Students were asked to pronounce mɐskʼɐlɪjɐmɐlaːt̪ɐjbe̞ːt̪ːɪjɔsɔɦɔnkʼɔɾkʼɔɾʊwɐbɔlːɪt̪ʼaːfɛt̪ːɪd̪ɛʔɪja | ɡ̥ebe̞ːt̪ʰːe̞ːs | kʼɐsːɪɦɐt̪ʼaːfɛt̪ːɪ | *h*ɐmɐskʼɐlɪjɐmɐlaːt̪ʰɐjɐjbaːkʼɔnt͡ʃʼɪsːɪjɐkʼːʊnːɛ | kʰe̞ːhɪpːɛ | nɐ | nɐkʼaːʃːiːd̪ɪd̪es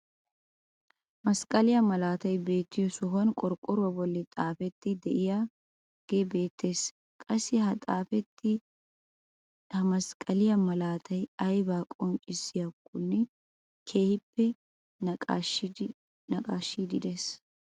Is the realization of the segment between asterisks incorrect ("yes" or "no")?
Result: no